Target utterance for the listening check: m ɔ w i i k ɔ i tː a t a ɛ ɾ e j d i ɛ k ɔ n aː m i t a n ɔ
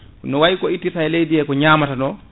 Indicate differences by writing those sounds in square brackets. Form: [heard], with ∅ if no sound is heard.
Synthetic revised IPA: [n] ɔ w [a] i k ɔ i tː [i] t a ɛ [l] e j d i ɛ k ɔ [ɲ] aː m [a] t a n ɔ